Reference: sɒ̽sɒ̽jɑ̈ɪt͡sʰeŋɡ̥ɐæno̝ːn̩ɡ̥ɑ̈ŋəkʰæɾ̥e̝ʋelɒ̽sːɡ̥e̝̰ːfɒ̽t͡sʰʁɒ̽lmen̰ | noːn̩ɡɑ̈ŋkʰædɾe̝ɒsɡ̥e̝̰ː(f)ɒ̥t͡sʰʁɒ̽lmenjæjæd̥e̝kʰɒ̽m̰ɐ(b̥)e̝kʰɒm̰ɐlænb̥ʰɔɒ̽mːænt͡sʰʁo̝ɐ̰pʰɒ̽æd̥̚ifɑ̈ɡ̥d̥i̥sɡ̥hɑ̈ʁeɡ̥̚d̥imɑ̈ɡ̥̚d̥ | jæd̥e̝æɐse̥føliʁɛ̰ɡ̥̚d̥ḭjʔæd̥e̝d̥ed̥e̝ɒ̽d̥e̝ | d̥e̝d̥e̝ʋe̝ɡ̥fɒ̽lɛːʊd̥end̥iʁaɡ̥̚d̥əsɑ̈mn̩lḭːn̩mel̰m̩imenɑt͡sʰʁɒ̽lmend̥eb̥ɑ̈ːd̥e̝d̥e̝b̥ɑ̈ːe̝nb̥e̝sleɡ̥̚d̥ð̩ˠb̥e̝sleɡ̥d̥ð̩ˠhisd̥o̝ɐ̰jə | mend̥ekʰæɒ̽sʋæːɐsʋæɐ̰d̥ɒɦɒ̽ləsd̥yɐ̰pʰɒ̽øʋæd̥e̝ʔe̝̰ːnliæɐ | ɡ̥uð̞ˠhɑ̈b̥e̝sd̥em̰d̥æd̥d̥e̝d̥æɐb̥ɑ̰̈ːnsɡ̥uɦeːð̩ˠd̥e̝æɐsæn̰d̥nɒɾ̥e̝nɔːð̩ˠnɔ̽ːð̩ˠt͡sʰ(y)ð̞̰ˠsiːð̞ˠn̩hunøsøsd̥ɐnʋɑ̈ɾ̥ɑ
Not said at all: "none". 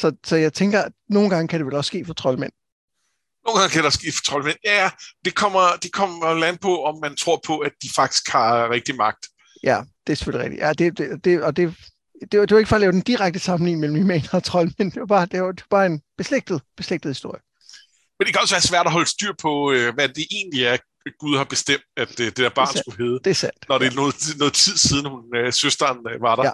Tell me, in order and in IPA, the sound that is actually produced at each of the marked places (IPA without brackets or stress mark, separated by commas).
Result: f, d̥, i